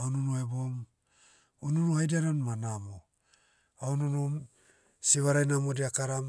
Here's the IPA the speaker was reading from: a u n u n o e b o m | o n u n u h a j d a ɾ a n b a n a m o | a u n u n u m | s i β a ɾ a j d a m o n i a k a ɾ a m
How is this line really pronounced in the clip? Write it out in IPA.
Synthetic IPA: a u n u n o e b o m | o n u n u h a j d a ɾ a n m a n a m o | a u n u n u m | s i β a ɾ a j n a m o d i a k a ɾ a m